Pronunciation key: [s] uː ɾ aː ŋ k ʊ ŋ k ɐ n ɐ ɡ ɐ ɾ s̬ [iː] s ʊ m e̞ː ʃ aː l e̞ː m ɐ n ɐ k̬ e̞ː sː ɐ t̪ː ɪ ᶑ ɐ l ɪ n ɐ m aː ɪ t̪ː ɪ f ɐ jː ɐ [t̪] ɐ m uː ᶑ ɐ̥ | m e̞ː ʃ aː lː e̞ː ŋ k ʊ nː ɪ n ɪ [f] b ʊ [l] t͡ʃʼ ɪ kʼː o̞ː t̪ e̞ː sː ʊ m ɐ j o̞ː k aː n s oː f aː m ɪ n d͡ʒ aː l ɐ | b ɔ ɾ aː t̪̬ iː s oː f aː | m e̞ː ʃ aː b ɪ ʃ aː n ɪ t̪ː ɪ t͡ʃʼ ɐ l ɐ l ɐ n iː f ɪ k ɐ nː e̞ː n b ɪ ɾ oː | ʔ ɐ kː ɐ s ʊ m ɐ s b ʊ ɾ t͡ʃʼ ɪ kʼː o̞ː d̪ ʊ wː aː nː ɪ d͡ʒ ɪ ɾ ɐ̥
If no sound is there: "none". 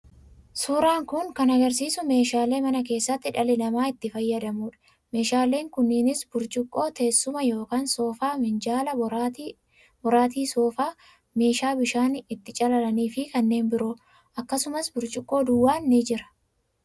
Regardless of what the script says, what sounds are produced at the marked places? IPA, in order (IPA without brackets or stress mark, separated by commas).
s, iː, d̪, s, ɾ